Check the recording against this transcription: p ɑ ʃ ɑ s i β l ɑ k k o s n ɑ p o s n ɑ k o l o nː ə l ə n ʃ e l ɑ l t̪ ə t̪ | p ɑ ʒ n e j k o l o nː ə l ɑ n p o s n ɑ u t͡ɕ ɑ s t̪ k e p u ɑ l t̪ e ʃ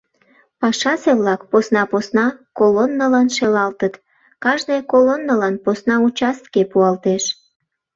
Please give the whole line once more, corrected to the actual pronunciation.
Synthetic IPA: p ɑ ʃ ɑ s e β l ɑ k p o s n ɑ p o s n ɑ k o l o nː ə l ɑ n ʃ e l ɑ l t̪ ə t̪ | k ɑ ʒ n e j k o l o nː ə l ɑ n p o s n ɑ u t͡ɕ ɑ s t̪ k e p u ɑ l t̪ e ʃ